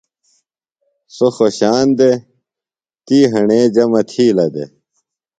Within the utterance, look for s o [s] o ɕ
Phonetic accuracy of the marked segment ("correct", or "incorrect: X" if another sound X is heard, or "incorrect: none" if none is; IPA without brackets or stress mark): incorrect: x